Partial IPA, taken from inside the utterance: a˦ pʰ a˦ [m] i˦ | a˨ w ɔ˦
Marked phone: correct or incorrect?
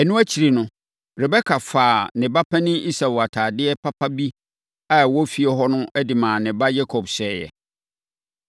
incorrect